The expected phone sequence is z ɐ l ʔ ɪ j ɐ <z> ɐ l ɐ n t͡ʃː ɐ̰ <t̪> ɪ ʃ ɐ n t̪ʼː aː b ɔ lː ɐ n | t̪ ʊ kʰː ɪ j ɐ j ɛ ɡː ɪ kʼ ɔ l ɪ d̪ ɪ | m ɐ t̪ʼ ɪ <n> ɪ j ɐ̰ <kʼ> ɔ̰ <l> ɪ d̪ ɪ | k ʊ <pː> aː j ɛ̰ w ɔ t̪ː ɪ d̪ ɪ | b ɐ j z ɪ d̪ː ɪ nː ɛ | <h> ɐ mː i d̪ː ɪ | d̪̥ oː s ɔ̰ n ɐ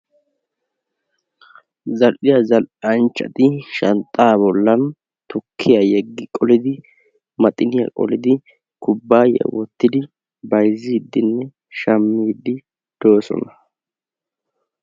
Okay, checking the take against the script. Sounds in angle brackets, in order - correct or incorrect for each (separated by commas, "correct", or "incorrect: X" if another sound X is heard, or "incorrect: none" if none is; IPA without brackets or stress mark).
correct, correct, correct, correct, correct, incorrect: bː, incorrect: ʃ